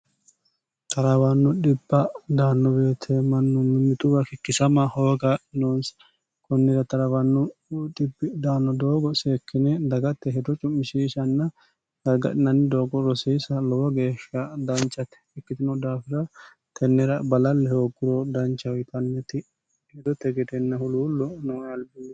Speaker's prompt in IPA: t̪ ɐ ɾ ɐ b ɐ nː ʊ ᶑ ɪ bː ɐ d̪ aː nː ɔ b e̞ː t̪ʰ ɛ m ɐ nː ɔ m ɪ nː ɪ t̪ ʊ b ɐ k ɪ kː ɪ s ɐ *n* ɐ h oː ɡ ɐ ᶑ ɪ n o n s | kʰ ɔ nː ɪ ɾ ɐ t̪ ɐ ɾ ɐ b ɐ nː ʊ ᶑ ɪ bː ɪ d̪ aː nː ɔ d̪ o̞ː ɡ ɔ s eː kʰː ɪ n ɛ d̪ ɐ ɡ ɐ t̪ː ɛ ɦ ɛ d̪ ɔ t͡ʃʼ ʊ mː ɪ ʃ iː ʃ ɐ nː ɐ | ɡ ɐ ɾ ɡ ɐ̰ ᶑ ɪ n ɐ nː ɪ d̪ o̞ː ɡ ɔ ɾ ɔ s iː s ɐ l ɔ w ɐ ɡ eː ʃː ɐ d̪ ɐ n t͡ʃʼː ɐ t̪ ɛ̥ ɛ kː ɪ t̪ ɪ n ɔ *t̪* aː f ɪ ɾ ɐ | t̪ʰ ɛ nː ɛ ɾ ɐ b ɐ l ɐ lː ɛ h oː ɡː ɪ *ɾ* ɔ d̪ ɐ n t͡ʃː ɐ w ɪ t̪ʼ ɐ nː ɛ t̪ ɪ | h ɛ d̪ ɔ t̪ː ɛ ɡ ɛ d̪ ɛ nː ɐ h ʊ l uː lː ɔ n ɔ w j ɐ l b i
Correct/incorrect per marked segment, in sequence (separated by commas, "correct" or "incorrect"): incorrect, incorrect, correct